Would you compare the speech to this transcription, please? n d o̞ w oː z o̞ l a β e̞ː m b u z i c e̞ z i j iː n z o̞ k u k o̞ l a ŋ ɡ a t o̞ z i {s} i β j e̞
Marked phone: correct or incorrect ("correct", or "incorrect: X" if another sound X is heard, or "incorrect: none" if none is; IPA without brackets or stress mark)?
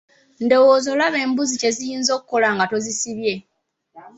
correct